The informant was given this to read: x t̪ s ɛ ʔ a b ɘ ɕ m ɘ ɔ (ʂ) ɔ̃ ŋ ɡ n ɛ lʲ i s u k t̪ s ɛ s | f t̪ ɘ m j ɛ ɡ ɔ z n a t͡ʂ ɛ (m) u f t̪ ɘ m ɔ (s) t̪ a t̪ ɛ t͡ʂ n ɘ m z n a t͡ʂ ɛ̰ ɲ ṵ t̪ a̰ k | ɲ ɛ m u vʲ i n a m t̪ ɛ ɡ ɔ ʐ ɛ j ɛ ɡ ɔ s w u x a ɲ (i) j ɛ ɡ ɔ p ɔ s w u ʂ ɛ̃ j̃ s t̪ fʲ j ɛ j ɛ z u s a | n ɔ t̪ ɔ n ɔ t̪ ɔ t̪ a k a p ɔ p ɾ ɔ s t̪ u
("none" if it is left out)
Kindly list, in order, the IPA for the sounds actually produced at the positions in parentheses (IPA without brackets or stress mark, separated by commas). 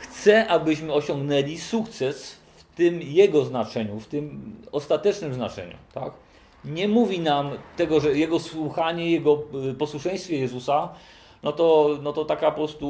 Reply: ɕ, ɲ, s, ɛ